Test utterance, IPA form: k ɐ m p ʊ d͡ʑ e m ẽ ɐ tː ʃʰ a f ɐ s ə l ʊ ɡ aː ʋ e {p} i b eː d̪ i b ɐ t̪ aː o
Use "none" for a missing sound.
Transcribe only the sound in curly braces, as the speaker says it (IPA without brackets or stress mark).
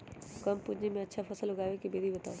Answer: k